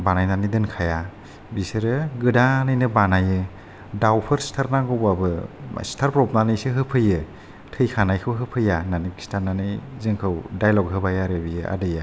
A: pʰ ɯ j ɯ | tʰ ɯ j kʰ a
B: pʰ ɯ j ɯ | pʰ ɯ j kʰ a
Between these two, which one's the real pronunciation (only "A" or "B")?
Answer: A